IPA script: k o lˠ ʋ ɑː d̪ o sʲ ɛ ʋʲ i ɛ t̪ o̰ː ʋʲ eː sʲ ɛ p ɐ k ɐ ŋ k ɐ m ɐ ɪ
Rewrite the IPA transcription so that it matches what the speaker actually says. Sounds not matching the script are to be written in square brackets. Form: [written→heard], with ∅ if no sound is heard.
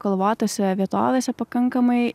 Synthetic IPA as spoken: k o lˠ ʋ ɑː [d̪→t̪] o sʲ ɛ ʋʲ i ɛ t̪ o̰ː ʋʲ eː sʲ ɛ p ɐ k ɐ ŋ k ɐ m ɐ ɪ